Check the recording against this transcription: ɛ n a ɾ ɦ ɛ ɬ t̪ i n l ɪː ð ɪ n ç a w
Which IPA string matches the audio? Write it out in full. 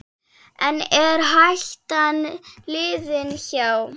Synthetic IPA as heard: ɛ n ɛ ɾ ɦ a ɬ t̪ a n l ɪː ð ɪ n ç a w